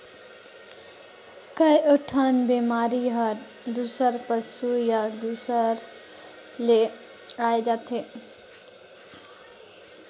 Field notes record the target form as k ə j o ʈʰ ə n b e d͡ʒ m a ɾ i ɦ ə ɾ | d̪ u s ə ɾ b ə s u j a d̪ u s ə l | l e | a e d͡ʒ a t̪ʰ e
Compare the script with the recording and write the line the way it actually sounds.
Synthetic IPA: k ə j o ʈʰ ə n b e m a ɾ i ɦ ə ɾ | d̪ u s ə ɾ p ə s u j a d̪ u s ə ɾ | l e | a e d͡ʒ a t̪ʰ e